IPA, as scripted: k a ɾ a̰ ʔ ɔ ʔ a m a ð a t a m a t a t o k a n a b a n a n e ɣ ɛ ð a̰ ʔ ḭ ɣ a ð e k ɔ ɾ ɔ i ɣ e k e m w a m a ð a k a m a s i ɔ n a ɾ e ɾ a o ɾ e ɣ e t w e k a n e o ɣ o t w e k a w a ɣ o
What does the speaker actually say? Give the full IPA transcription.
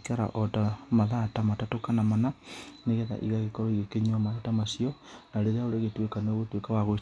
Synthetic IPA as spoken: k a ɾ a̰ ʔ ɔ t a m a ð a t a m a t a t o k a n a m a n a n e ɣ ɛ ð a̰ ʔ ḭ ɣ a ɣ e k ɔ ɾ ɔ i ɣ e k e ɲ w a m a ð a t a m a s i ɔ n a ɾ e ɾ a o ɾ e ɣ e t w e k a n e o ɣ o t w e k a w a ɣ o